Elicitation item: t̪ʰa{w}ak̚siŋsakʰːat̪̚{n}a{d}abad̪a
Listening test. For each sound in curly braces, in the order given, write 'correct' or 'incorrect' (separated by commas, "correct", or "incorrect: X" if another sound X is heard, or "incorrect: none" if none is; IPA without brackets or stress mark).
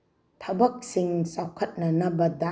incorrect: b, correct, incorrect: n